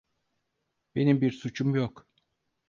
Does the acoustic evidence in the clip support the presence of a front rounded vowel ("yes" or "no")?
no